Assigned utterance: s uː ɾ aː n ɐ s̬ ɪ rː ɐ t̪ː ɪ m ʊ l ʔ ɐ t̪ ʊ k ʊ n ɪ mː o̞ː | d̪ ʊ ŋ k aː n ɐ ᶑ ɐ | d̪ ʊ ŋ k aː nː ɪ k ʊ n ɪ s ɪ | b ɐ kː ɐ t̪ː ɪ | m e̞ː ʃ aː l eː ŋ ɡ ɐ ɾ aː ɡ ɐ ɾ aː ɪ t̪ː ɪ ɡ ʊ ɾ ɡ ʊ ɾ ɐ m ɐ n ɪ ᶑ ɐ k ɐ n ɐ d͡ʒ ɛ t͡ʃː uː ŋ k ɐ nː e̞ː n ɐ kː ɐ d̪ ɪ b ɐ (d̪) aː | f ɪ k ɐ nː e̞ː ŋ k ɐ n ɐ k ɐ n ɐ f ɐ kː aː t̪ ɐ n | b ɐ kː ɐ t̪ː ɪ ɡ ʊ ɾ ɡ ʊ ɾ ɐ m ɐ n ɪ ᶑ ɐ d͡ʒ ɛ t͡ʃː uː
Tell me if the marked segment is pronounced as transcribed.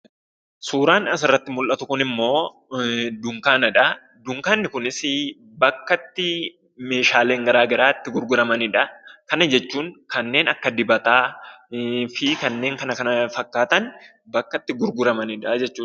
no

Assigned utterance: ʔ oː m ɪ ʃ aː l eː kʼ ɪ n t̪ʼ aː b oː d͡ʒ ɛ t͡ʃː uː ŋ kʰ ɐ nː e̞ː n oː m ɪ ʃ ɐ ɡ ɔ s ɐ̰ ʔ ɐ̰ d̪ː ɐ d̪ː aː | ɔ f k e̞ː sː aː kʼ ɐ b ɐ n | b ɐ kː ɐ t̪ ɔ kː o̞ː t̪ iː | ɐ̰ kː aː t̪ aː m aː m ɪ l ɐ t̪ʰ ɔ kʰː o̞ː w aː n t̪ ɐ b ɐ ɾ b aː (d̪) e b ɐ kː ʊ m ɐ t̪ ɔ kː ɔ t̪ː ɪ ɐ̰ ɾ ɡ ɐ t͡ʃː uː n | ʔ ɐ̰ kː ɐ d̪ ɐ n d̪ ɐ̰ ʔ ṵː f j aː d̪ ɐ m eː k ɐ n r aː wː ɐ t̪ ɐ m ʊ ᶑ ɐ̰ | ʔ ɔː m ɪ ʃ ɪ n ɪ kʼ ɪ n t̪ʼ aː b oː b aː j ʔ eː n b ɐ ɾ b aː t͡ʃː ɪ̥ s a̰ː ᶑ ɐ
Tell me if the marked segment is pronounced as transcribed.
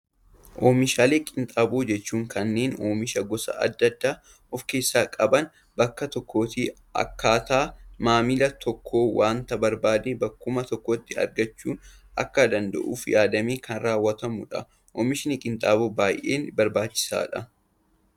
yes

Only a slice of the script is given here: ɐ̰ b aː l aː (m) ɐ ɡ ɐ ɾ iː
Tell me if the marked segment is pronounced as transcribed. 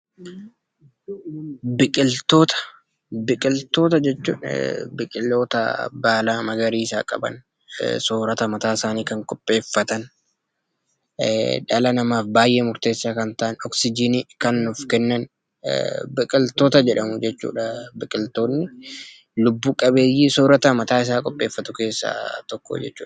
yes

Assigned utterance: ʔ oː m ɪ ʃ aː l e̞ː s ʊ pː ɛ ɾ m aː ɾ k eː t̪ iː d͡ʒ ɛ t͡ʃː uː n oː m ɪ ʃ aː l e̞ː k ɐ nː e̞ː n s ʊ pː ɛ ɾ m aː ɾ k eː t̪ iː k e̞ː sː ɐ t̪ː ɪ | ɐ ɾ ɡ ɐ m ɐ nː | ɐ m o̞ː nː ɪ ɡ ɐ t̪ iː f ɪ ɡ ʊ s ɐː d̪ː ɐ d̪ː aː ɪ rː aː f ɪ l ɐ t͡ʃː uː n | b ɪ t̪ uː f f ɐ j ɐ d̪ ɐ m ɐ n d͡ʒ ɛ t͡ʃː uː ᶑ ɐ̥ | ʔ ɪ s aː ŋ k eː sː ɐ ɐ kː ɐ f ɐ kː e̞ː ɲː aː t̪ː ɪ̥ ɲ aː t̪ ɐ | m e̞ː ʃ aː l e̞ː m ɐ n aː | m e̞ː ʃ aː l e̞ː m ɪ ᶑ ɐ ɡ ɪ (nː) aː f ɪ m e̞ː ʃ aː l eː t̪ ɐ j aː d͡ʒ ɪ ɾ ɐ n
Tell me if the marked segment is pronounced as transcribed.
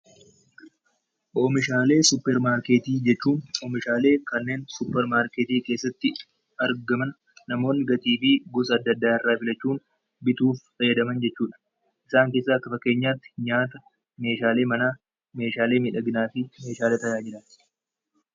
no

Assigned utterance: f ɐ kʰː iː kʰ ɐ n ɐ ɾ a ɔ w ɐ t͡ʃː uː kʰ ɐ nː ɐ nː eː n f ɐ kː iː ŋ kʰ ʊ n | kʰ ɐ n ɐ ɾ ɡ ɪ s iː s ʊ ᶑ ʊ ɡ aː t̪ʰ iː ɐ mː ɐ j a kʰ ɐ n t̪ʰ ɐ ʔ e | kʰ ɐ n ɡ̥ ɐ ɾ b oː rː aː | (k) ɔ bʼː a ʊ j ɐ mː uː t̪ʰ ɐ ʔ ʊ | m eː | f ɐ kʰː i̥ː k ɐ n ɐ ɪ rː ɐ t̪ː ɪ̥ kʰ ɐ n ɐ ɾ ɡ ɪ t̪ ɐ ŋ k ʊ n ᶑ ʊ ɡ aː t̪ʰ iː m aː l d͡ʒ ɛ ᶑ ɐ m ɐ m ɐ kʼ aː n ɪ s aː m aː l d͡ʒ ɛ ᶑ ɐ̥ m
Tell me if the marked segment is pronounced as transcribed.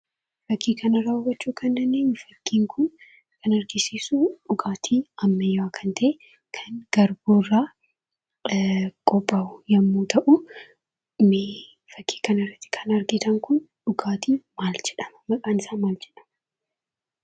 no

